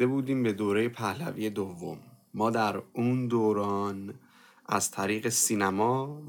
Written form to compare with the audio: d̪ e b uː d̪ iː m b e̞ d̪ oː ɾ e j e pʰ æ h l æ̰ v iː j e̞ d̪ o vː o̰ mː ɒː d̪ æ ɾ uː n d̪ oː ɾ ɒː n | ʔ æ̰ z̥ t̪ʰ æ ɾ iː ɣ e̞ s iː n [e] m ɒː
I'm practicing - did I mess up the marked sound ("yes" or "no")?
yes